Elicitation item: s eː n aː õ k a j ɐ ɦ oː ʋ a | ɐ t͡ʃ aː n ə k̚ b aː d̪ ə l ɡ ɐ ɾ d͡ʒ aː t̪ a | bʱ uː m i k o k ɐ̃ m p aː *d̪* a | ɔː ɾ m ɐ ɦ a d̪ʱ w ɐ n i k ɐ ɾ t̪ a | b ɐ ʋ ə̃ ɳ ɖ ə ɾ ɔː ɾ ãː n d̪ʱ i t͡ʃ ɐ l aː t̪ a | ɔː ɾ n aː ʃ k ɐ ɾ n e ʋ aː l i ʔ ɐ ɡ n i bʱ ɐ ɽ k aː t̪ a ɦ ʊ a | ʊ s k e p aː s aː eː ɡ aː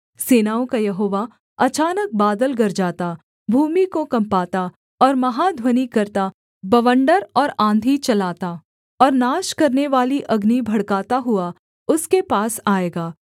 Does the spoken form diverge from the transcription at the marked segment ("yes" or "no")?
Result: yes